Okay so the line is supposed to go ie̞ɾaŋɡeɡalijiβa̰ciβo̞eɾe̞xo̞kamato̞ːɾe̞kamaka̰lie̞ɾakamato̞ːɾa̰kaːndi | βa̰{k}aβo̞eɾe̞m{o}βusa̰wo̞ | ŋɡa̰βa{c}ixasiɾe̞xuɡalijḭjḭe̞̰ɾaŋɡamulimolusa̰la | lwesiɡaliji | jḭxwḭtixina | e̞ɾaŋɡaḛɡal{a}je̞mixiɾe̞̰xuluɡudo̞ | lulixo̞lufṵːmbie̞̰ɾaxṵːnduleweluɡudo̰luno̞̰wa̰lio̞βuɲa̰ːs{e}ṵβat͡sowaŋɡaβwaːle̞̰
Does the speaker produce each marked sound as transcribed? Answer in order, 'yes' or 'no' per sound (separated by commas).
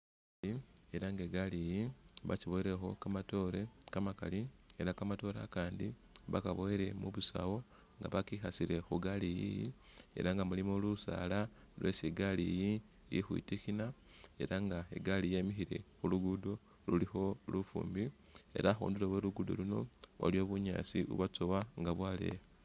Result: yes, no, no, no, no